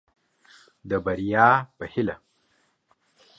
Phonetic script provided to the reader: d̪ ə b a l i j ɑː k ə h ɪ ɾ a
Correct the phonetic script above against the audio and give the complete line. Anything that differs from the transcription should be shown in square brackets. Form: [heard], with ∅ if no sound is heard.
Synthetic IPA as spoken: d̪ ə b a [ɾ] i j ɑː [p] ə h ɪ [l] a